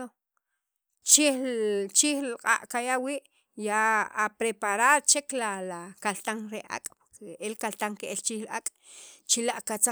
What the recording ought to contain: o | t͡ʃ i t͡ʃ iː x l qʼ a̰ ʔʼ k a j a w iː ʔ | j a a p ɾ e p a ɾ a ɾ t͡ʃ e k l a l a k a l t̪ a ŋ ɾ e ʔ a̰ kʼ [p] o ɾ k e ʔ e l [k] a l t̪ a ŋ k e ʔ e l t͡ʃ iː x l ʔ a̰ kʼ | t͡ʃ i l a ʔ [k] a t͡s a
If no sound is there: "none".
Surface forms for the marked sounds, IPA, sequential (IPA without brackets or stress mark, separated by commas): p, k, k